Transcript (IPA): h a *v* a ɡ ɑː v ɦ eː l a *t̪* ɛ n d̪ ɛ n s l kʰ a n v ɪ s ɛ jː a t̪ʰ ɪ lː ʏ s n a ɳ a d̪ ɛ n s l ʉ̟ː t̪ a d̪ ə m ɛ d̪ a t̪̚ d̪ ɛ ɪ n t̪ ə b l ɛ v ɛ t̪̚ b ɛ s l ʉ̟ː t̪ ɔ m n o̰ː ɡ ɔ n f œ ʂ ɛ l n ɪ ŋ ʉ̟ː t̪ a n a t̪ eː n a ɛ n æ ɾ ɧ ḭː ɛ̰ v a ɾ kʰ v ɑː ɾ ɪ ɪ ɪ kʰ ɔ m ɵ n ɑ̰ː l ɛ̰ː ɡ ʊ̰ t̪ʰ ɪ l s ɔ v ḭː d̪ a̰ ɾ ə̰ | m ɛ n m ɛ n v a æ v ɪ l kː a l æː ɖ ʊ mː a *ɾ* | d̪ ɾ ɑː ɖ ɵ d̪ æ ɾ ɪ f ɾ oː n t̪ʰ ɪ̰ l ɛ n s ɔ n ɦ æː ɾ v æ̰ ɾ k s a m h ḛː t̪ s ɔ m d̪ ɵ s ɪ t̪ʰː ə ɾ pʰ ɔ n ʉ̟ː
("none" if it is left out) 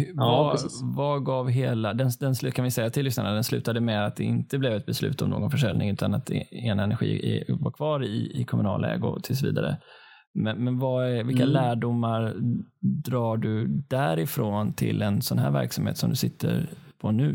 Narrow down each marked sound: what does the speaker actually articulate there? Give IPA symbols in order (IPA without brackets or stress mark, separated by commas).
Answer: v, d̪, ɾ